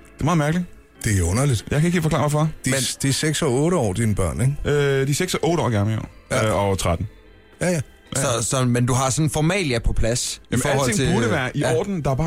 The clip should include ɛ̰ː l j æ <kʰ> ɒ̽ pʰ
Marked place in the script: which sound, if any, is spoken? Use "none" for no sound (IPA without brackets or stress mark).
pʰ